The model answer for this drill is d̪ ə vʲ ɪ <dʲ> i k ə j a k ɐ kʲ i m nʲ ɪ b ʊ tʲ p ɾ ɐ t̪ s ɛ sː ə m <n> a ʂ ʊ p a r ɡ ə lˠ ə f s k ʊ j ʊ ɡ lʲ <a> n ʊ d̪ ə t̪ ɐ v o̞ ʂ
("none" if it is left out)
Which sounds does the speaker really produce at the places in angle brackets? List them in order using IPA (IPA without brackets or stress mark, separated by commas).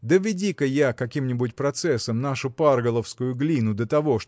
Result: dʲ, n, i